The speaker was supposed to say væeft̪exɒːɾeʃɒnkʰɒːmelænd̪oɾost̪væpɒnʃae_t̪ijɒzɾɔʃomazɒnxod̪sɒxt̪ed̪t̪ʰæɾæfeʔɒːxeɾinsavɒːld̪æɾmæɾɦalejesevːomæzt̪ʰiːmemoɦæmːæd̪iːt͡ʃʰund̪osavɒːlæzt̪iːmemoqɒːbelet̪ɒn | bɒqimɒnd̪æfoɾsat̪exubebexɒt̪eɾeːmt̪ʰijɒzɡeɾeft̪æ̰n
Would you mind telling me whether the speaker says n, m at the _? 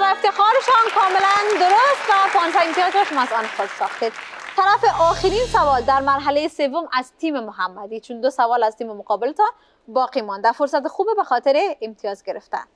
m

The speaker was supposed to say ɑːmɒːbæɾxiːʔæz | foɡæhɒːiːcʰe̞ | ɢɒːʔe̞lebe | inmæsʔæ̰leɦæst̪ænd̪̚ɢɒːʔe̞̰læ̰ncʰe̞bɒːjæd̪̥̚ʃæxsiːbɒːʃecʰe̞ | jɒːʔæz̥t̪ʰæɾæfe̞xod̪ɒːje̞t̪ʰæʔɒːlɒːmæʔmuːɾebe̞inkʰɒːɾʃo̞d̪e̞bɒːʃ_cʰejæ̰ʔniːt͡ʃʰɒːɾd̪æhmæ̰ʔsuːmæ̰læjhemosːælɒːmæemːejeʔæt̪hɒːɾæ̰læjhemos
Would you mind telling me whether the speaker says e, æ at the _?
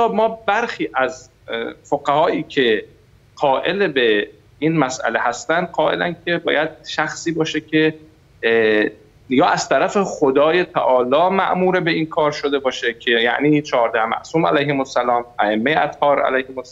e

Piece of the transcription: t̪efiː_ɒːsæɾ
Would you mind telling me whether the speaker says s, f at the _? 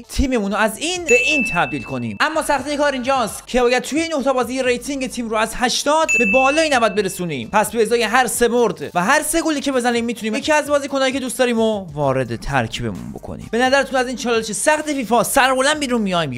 f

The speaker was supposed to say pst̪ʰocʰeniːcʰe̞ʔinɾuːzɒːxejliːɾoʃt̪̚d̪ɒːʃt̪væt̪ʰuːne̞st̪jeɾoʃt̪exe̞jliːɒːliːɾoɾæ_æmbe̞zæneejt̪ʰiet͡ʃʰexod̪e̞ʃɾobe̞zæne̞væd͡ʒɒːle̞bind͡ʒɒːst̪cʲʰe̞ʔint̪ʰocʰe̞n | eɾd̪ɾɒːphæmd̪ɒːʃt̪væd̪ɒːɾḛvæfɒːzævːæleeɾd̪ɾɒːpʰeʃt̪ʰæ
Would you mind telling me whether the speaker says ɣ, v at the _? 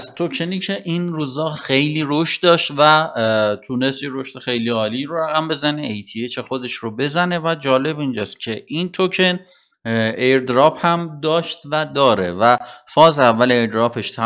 ɣ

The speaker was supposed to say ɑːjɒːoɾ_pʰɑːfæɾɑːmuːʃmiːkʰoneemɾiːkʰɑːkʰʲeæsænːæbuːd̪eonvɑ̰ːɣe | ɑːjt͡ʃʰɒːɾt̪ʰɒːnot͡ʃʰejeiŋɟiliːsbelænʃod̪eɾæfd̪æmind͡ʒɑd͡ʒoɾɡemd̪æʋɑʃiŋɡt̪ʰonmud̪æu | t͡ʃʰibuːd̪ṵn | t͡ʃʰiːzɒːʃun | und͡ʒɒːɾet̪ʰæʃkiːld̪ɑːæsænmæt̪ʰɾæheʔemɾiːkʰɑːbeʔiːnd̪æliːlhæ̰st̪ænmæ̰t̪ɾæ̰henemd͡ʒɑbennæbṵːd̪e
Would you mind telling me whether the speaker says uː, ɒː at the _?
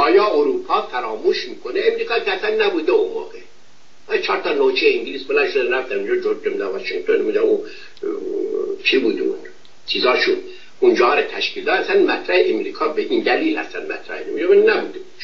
uː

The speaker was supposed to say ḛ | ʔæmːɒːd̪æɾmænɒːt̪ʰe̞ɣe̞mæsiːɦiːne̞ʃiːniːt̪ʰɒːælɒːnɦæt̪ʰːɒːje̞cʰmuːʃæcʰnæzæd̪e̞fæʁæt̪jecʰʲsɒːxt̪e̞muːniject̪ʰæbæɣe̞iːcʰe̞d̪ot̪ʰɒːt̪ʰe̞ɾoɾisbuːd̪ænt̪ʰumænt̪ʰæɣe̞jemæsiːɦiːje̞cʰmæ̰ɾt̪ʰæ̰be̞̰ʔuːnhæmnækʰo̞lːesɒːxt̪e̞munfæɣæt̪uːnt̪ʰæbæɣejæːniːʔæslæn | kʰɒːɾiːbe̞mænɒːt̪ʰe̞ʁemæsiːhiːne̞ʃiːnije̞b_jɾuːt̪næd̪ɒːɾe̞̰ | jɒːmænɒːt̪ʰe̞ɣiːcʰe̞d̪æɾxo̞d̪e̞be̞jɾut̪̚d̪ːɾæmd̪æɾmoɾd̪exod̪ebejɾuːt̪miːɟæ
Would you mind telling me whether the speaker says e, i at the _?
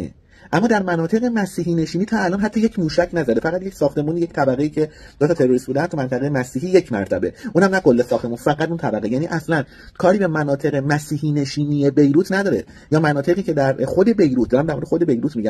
e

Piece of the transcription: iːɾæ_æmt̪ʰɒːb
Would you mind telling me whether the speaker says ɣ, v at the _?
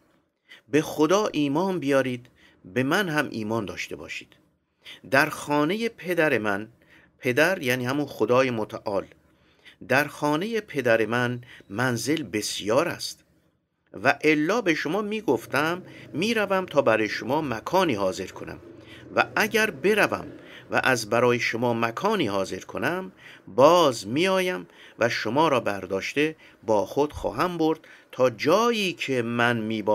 v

